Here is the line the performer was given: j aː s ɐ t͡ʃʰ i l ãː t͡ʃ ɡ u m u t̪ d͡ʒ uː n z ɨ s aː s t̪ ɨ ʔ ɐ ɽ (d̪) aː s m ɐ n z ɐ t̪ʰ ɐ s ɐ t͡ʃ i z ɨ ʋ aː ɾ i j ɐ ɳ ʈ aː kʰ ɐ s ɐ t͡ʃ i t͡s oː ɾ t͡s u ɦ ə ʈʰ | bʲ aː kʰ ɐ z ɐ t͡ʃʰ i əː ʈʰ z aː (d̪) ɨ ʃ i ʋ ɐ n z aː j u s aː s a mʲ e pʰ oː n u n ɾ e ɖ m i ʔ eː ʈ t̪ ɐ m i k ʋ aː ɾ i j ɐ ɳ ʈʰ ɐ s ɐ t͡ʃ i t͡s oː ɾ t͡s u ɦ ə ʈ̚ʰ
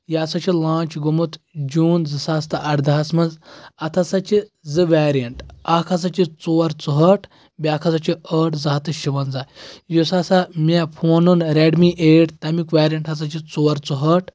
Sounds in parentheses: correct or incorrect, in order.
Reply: correct, incorrect

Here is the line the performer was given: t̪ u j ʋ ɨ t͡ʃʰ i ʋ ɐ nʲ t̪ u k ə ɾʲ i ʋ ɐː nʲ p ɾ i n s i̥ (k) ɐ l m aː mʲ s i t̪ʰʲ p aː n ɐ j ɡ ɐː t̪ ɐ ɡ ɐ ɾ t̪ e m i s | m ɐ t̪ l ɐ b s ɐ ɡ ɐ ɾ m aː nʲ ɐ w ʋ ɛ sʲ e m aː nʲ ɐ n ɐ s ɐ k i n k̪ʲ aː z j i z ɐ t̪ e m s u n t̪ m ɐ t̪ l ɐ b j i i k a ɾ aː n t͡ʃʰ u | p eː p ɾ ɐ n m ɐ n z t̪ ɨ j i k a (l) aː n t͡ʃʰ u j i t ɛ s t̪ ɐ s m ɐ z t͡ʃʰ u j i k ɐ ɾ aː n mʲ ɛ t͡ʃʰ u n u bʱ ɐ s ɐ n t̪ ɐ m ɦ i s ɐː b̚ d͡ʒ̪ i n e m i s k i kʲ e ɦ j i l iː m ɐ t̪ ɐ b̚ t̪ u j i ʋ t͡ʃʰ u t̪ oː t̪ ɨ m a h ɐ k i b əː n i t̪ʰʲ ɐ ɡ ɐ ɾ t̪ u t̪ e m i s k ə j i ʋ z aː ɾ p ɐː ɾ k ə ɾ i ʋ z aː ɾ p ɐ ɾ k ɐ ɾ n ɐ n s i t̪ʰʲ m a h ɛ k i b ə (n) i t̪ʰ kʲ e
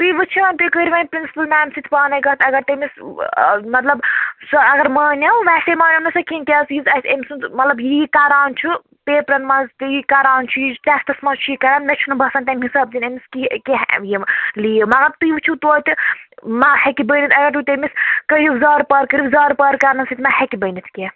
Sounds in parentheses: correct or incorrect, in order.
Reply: incorrect, incorrect, correct

